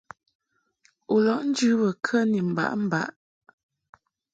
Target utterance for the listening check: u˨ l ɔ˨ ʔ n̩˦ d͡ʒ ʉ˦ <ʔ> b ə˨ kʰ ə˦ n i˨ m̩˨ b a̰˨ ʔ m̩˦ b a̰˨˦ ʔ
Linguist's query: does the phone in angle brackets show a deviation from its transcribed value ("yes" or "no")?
yes